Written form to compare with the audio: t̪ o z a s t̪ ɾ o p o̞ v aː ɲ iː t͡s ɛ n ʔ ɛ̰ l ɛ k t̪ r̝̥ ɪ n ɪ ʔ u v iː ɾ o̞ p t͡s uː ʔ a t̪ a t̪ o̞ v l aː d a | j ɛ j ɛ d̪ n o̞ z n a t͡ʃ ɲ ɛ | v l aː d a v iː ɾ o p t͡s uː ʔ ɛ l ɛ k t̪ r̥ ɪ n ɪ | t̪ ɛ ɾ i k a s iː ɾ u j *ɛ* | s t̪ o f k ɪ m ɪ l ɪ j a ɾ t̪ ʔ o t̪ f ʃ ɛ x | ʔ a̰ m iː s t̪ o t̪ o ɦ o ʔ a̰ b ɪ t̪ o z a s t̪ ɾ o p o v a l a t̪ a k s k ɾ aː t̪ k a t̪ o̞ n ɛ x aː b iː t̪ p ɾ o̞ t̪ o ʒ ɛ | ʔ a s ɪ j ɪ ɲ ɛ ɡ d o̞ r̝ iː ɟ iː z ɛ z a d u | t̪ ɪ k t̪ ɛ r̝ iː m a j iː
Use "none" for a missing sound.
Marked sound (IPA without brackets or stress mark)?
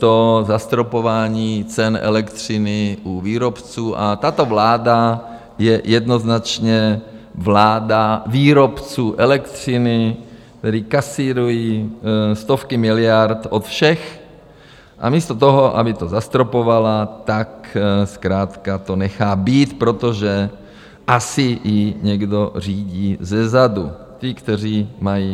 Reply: i